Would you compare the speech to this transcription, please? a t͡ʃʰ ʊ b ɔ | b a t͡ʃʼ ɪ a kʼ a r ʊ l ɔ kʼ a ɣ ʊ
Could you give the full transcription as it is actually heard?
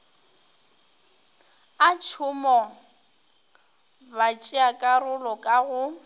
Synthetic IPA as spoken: a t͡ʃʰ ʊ m ɔ | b a t͡ʃʼ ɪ a kʼ a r ʊ l ɔ kʼ a ɣ ʊ

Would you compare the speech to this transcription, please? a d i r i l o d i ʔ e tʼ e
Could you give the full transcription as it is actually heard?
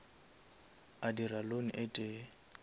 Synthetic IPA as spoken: a d i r a l o n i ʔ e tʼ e

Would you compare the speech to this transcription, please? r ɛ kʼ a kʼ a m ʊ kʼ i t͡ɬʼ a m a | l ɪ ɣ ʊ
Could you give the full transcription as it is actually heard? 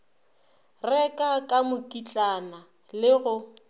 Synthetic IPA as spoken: r ɛ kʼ a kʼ a m ʊ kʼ i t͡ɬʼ a n a | l ɪ ɣ ʊ

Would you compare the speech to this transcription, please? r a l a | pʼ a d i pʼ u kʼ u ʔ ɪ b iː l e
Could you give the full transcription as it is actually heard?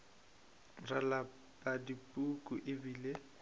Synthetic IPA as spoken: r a l a | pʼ a d i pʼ u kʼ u ʔ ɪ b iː l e

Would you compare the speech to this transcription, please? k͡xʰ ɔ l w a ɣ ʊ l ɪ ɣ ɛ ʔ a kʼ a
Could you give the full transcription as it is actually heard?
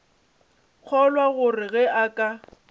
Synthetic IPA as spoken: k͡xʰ ɔ l w a ɣ ʊ r ɪ ɣ ɛ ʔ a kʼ a

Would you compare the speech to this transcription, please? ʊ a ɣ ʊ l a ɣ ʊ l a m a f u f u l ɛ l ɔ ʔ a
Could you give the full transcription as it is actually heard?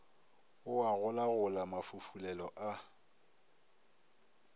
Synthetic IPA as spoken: ʊ a ɣ ʊ l a ɣ ʊ l a m a f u f u l ɛ l ɔ ʔ a

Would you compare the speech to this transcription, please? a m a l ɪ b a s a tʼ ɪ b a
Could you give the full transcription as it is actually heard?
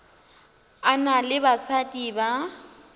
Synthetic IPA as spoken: a n a l ɪ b a s a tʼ i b a

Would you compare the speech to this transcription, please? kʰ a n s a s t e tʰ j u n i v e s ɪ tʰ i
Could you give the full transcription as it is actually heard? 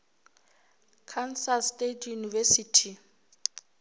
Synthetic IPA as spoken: kʰ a n s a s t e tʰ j u n i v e s i tʰ i

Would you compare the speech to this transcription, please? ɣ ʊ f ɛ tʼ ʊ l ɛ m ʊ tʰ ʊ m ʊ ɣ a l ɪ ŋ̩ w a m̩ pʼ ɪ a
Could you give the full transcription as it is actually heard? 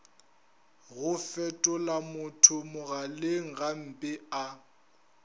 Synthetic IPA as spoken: ɣ ʊ f ɛ tʼ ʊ l a m ʊ tʰ ʊ m ʊ ɣ a l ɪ ŋ̩ ɣ a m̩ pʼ ɪ a

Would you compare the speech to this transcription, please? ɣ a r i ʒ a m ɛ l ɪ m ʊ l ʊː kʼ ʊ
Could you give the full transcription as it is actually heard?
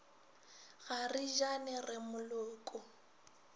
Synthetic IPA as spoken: ɣ a r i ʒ a n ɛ r ɪ m ʊ l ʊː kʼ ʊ

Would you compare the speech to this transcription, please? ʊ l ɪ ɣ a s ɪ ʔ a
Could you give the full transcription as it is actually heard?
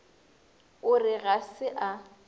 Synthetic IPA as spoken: ʊ r ɪ ɣ a s ɪ ʔ a

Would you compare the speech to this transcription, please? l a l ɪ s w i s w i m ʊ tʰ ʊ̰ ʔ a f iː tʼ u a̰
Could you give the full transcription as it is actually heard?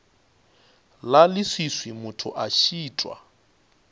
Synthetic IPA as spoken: l a l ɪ s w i s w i m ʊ tʰ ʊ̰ ʔ a ʃ iː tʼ w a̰

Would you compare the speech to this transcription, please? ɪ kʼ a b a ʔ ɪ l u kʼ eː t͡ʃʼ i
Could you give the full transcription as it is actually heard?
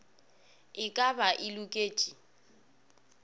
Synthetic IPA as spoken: ɪ kʼ a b a ʔ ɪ l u kʼ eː t͡ʃʼ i

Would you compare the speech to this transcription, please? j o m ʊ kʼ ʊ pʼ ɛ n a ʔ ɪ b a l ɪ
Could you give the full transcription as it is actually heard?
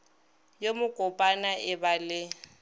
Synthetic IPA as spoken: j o m ʊ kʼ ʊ pʼ a n a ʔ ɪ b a l ɪ

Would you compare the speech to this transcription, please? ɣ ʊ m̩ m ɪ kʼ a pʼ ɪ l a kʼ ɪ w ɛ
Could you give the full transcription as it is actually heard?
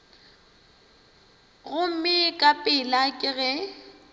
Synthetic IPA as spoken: ɣ ʊ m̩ m ɪ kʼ a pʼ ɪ l a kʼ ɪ ɣ ɛ

